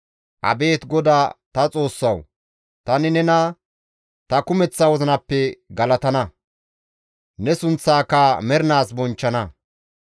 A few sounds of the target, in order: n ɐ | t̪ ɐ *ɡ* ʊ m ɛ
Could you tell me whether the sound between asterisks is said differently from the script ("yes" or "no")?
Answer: yes